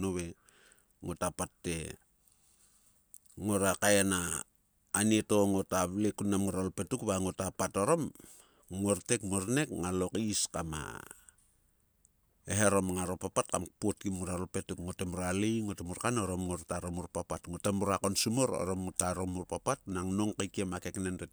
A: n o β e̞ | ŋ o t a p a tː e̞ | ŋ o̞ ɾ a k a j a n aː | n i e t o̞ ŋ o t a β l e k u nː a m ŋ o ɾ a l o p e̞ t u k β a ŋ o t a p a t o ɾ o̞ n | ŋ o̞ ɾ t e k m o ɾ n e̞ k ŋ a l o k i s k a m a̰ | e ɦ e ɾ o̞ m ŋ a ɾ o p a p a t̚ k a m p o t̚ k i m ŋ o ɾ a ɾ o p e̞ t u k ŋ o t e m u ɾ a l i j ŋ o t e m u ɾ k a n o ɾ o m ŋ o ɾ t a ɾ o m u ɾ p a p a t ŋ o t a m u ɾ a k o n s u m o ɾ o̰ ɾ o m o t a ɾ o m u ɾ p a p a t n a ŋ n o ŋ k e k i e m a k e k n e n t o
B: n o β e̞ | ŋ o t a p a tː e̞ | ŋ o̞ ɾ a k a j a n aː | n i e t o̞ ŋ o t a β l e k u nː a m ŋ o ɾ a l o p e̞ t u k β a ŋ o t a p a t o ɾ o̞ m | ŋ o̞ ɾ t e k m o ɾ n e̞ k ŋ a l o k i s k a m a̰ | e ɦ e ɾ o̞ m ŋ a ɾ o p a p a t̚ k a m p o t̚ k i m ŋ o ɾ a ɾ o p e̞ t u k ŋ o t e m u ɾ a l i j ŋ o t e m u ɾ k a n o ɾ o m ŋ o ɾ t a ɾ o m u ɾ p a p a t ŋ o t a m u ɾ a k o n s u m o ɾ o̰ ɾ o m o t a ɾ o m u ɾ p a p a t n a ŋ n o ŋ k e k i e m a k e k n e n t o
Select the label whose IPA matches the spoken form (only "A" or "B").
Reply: B